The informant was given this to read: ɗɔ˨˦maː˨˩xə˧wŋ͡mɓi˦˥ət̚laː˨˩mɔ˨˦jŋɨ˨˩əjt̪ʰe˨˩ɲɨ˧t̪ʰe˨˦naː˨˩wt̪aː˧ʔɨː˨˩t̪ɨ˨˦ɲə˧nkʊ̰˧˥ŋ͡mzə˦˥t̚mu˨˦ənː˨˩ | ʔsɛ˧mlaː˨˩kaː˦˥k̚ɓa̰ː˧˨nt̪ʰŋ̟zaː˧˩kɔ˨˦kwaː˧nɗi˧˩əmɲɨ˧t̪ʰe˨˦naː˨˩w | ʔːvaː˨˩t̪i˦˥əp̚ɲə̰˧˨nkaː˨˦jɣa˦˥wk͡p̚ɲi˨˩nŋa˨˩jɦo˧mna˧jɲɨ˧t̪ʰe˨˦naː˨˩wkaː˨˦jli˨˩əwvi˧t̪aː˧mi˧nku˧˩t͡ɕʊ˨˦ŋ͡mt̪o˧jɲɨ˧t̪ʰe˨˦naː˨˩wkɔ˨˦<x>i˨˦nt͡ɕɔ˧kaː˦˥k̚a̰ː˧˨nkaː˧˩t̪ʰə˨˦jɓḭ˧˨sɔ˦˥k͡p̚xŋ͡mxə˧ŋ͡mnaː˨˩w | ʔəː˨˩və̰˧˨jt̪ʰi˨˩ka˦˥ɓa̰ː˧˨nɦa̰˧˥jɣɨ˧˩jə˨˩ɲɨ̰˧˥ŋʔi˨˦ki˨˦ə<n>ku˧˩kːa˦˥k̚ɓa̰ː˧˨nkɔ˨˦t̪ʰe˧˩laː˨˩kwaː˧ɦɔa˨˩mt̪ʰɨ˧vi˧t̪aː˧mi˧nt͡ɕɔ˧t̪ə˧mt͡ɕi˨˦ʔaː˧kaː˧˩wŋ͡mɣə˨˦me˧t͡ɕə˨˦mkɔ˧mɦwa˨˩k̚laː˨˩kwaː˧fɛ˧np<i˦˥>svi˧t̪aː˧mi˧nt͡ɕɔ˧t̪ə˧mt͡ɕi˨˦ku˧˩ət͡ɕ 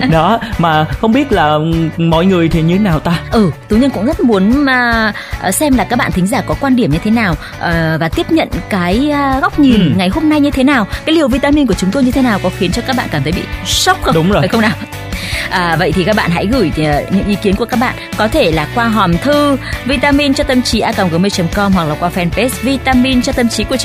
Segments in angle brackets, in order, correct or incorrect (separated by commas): correct, correct, incorrect